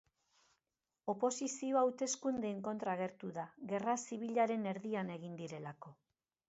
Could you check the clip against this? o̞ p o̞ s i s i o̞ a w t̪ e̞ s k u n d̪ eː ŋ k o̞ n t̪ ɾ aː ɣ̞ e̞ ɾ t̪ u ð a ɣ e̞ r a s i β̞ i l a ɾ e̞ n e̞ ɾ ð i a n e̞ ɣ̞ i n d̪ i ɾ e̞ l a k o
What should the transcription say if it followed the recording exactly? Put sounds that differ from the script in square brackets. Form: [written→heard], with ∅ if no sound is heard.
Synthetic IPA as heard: o̞ p o̞ s i s i o̞ a w t̪ e̞ s k u n d̪ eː ŋ k o̞ n t̪ ɾ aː ɣ̞ e̞ ɾ t̪ u ð a ɣ e̞ r a s i β̞ i [l→ʎ] a ɾ e̞ n e̞ ɾ ð i a n e̞ ɣ̞ i n d̪ i ɾ e̞ l a k o